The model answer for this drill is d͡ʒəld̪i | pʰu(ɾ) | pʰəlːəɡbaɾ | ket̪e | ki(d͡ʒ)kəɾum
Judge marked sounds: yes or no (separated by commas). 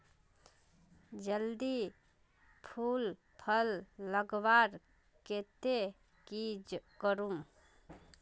no, yes